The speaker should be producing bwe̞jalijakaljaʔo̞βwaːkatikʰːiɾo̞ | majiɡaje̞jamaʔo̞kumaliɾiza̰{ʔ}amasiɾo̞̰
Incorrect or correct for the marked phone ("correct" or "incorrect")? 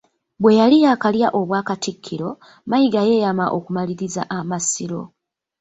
correct